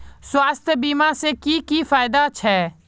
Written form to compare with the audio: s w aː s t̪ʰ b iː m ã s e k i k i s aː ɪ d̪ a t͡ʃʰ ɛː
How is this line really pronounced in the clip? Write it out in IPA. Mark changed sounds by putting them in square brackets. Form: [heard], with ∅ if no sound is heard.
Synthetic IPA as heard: s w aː s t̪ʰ b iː m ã s e k i k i [f] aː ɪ d̪ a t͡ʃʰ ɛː